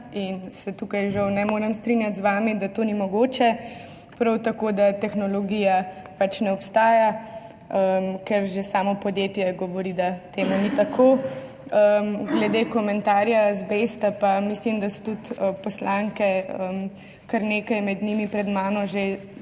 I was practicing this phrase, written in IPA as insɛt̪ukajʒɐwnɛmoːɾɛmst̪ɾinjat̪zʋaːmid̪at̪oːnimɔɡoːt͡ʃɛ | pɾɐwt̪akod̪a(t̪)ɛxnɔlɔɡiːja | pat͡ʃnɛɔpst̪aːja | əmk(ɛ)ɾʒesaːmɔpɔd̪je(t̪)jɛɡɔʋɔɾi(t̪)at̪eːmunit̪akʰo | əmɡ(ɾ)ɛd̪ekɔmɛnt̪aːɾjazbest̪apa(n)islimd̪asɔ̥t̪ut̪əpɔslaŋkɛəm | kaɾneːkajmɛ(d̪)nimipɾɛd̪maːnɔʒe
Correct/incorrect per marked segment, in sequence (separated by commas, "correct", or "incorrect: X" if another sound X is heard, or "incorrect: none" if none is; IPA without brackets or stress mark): correct, correct, correct, incorrect: d̪, incorrect: l, incorrect: m, correct